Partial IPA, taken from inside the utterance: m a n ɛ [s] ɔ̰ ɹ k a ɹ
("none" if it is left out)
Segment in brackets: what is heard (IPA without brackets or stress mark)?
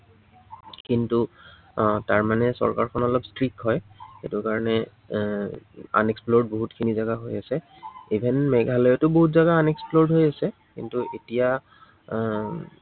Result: s